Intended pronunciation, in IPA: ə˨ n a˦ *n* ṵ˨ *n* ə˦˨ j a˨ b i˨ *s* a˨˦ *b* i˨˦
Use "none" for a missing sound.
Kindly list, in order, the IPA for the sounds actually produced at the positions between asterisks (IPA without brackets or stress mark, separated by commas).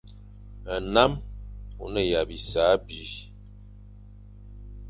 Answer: m, n, s, b